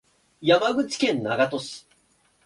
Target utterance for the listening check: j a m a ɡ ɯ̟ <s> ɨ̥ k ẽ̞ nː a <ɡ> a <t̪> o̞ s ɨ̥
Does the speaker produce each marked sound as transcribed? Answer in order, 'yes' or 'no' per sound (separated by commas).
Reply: no, yes, yes